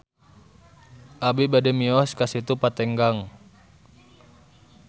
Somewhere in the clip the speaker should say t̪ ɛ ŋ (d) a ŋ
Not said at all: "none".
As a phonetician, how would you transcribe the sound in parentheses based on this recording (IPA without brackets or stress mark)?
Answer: ɡ